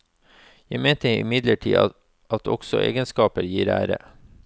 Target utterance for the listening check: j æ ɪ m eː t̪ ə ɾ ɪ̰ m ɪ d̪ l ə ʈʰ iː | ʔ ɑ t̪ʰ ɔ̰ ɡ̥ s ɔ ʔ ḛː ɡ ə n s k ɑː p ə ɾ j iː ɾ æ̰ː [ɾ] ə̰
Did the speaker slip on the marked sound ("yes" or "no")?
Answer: no